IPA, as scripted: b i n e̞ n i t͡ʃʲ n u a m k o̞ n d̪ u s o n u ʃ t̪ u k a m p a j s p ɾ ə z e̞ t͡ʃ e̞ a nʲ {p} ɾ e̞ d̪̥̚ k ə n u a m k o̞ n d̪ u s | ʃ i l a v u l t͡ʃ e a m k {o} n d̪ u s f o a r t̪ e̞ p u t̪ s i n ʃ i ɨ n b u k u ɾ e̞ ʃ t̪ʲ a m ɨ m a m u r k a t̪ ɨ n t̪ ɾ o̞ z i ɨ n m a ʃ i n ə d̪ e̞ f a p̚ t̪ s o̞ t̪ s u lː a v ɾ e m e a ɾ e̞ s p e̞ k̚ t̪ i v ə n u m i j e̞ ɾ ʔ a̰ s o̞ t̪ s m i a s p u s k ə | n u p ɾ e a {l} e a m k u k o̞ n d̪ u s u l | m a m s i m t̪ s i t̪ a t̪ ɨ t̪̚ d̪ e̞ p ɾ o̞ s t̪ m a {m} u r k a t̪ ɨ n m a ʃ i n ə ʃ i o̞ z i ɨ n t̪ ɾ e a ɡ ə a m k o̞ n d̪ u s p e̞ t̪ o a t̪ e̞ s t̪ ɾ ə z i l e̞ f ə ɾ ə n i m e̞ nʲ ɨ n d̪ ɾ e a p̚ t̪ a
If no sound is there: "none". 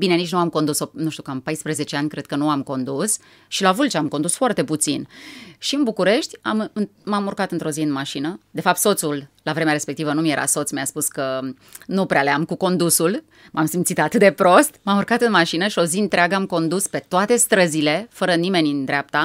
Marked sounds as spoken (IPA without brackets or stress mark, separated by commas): k, o, l, m